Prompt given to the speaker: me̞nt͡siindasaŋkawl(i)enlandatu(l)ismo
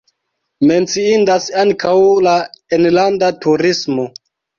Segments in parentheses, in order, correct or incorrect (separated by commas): incorrect, incorrect